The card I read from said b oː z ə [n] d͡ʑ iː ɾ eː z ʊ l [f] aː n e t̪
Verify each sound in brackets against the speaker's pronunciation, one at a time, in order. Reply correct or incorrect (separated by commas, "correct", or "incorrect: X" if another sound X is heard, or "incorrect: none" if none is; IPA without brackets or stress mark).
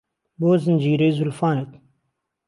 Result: correct, correct